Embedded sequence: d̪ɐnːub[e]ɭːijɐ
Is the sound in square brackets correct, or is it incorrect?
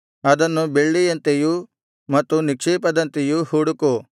correct